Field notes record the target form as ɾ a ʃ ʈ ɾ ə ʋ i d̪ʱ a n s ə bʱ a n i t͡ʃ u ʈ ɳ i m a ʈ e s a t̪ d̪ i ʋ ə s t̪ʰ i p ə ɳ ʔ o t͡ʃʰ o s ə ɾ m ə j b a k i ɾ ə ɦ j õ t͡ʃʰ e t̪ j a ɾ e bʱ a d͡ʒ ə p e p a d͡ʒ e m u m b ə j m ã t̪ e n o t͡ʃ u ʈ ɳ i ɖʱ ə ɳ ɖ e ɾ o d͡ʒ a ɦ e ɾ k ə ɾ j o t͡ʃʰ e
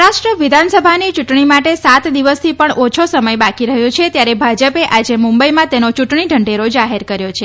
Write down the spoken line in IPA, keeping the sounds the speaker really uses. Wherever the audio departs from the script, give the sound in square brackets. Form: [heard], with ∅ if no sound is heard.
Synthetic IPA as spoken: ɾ a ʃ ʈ ɾ ə ʋ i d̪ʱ a n s ə bʱ a n i t͡ʃ u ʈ ɳ i m a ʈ e s a t̪ d̪ i ʋ ə s t̪ʰ i p ə ɳ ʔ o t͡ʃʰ o s ə [∅] m ə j b a k i ɾ ə ɦ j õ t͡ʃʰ e t̪ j a ɾ e bʱ a d͡ʒ ə p e [ʔ] a d͡ʒ e m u m b ə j m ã t̪ e n o t͡ʃ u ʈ ɳ i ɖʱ ə ɳ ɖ e ɾ o d͡ʒ a ɦ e ɾ k ə ɾ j o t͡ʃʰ e